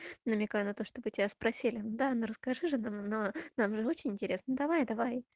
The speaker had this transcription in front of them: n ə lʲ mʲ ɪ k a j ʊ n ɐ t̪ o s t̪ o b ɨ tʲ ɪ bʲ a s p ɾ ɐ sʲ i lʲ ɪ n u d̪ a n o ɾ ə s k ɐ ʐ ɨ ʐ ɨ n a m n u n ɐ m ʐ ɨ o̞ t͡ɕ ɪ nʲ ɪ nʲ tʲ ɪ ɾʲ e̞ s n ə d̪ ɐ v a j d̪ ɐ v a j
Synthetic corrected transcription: n ə mʲ ɪ k a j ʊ n ɐ t̪ o ʂ t̪ o b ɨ tʲ ɪ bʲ a s p ɾ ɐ sʲ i lʲ ɪ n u d̪ a n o ɾ ə s k ɐ ʐ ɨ ʐ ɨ n a m n o n a m ʐ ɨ o̞ t͡ɕ ɪ nʲ ɪ nʲ tʲ ɪ ɾʲ e̞ s n ə d̪ ɐ v a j d̪ ɐ v a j